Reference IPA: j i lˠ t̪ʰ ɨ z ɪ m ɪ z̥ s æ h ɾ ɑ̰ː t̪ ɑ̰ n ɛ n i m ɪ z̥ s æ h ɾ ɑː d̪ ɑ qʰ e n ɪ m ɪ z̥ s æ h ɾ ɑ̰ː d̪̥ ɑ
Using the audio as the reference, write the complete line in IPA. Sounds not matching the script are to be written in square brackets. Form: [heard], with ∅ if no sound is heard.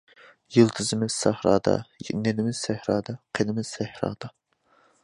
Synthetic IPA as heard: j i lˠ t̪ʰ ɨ z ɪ m ɪ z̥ s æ h ɾ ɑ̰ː [d̪] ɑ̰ n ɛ n [ɪ] m ɪ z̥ s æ h ɾ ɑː d̪ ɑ qʰ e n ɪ m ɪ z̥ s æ h ɾ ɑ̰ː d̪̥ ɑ